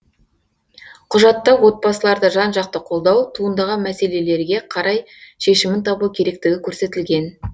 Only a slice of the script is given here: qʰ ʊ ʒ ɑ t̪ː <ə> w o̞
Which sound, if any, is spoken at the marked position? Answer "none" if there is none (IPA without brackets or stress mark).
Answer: ɑ